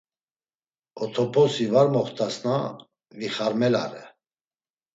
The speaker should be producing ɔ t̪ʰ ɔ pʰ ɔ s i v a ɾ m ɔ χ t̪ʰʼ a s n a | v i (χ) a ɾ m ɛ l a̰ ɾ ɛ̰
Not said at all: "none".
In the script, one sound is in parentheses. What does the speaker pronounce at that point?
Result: χ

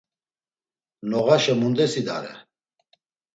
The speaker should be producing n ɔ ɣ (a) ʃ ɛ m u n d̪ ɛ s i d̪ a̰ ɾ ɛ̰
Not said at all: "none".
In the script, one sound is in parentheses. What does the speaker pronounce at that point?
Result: a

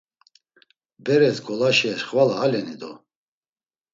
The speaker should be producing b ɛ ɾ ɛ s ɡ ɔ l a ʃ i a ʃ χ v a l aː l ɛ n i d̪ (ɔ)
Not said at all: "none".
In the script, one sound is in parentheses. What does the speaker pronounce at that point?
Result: ɔ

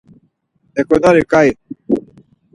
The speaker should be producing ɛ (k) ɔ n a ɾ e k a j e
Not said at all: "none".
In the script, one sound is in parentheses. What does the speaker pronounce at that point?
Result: k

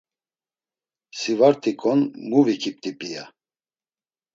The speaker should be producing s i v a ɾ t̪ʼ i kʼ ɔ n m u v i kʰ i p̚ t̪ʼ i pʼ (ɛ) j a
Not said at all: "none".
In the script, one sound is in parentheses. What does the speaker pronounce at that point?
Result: i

